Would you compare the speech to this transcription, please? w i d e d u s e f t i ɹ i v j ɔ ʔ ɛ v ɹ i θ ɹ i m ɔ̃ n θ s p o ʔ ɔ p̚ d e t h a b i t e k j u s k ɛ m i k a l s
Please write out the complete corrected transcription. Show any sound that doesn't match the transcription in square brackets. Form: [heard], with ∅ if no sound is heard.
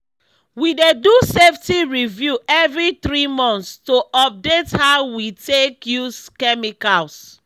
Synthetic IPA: w i d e d u s e f t i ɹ i v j [u] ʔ ɛ v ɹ i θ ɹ i m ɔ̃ n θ s [t] o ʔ ɔ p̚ d e t h a [w] i t e k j u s k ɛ m i k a l s

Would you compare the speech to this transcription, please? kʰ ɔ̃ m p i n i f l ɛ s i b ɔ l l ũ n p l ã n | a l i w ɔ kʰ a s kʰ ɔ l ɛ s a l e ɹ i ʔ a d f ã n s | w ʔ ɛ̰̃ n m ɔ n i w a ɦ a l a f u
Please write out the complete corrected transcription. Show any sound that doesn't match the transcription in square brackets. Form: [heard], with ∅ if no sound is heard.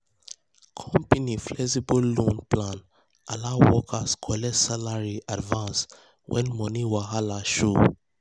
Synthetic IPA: kʰ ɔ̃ m p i n i f l ɛ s i b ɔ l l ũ n p l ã n | a l [a] w ɔ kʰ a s kʰ ɔ l ɛ s a l [a] ɹ i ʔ a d [v] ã n s | w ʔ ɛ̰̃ n m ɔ n i w a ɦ a l a [ʃ] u

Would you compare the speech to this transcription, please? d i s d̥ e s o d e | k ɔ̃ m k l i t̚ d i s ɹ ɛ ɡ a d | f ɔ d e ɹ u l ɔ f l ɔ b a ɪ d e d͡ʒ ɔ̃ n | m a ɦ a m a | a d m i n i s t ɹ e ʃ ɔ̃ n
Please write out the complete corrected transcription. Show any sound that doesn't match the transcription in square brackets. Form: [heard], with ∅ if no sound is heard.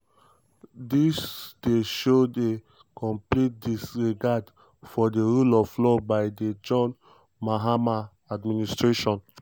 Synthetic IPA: d i s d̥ e [ʃ] o d e | k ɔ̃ m [p] l i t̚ d i s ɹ [i] ɡ a d | f ɔ d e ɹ u l ɔ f l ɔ b a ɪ d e d͡ʒ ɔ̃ n | m a ɦ a m a | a d m i n i s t ɹ e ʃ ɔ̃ n

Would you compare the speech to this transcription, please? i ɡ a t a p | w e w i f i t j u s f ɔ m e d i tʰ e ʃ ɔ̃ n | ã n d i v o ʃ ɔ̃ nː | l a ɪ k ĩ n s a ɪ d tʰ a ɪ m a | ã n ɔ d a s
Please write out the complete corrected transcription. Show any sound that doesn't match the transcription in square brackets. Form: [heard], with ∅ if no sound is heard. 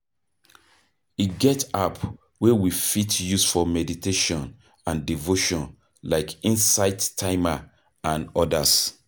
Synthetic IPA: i ɡ [ɛ] t a p | w e w i f i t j u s f ɔ m [ɛ] d i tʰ e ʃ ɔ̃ n | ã n d i v o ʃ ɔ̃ [n] | l a ɪ k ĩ n s a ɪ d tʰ a ɪ m a | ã n ɔ d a s

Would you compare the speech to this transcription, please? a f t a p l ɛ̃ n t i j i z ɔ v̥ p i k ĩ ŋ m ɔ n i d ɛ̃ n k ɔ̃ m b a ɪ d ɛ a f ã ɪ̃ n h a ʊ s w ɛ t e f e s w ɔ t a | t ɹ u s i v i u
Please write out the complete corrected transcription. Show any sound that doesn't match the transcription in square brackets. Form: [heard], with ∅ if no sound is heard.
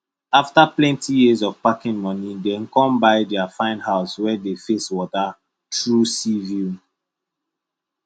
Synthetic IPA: a f t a p l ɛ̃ n t i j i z ɔ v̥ p [a] k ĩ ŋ m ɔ n i d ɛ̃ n k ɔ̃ m b a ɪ d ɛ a f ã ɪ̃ n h a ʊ s w ɛ [d] e f e s w ɔ t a | t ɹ u s i v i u

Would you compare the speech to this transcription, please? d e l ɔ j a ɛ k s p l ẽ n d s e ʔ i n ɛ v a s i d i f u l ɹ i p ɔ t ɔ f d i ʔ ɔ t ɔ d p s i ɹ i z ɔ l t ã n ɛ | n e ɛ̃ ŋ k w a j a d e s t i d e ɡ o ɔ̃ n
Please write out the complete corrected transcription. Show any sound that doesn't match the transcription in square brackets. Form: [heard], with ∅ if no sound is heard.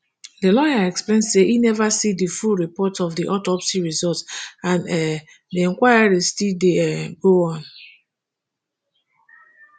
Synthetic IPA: d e l ɔ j a ɛ k s p l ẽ n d s e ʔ i n ɛ v a s i d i f u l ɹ i p ɔ t ɔ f d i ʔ ɔ t ɔ [∅] p s i ɹ i z ɔ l t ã n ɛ | [d] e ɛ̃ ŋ k w a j a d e s t i d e ɡ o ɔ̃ n

